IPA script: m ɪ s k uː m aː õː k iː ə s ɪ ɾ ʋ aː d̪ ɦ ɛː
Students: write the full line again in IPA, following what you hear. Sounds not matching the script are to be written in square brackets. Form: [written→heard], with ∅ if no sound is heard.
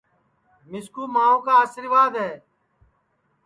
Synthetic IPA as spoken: m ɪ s k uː m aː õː k [iː→aː] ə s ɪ ɾ ʋ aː d̪ ɦ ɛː